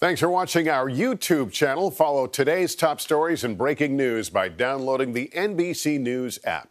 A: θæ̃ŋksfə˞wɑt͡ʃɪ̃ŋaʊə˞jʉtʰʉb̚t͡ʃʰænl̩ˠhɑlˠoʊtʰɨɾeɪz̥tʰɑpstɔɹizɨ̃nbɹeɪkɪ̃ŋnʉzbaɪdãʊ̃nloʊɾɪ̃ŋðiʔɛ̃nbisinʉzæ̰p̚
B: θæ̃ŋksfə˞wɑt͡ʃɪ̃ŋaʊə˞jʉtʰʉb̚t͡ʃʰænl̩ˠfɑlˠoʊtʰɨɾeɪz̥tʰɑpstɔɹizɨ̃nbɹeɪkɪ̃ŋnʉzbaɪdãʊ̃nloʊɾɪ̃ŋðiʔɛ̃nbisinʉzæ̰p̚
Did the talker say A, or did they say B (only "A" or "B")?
B